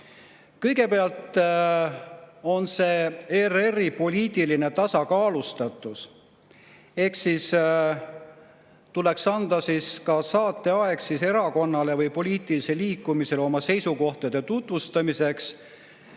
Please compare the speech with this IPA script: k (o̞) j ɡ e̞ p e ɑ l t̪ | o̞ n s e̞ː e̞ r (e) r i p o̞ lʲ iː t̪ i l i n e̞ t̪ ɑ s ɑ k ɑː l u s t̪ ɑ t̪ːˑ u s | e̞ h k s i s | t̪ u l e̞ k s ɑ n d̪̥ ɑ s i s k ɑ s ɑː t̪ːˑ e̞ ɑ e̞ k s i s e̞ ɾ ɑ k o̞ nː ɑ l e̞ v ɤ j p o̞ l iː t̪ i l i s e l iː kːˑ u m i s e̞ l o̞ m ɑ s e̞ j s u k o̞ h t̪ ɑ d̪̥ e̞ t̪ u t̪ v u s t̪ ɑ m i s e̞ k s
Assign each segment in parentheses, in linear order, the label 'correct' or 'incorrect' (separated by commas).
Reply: incorrect, correct